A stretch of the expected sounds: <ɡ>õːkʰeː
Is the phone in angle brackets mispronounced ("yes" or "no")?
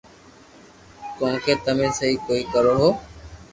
yes